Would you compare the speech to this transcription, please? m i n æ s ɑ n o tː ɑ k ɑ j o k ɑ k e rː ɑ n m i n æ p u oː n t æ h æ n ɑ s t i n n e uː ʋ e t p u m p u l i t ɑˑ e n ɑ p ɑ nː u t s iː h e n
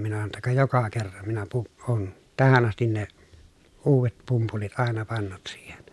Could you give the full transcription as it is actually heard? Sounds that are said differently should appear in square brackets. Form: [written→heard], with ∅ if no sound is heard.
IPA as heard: m i n æ s ɑ n o tː ɑ k ɑ j o k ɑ k e rː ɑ n m i n æ p u oː n t æ h æ n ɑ s t i n n e uː ʋ e t p u m p u l i t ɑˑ e n ɑ p ɑ nː u t s iː h e n